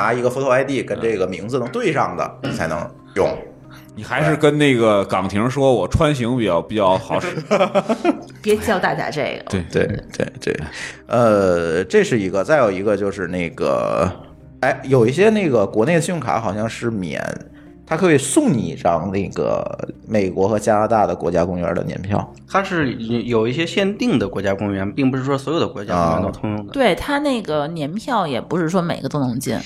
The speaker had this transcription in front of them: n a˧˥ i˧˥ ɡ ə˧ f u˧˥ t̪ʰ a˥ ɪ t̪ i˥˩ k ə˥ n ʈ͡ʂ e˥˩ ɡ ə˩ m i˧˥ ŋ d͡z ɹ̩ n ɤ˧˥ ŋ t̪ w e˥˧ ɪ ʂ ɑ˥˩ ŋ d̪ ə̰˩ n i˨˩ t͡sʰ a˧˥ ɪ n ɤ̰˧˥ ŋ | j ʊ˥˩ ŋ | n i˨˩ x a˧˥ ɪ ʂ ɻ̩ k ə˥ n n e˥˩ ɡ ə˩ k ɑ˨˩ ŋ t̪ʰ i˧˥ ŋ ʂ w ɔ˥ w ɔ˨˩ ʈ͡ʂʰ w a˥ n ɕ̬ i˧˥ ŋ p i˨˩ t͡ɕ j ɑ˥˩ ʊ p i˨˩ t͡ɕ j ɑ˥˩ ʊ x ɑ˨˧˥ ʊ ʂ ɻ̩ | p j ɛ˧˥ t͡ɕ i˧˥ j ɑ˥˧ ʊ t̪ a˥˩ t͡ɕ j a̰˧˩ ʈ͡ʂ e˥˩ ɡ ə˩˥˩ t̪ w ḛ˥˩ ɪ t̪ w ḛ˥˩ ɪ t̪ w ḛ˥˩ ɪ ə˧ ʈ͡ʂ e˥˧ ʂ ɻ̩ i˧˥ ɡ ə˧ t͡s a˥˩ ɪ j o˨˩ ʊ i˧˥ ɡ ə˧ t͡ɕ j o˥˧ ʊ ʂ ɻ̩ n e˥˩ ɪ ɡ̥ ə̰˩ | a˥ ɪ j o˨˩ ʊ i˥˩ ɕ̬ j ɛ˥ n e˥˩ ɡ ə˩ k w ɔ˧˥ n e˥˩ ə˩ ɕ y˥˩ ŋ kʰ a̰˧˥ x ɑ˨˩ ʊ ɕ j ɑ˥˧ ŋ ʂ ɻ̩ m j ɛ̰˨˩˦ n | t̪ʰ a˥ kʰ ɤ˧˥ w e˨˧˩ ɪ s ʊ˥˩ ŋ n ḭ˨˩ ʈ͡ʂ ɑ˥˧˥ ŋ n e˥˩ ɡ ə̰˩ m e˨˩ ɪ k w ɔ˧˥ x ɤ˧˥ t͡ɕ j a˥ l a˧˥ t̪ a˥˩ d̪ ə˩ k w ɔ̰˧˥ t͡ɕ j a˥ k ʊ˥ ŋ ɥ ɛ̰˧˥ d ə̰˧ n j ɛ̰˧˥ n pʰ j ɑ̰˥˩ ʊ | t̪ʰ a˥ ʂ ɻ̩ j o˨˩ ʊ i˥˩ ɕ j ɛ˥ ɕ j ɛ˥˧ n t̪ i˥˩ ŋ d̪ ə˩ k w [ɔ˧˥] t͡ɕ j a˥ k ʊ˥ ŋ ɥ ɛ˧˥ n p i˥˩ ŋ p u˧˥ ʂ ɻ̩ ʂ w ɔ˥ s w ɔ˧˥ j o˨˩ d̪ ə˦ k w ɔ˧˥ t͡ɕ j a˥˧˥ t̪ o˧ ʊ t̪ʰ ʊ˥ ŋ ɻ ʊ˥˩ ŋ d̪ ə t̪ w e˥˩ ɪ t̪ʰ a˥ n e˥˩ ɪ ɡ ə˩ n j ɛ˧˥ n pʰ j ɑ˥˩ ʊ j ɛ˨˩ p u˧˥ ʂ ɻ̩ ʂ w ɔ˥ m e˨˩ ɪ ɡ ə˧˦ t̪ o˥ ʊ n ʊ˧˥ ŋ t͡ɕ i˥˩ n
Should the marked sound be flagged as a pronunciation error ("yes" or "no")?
no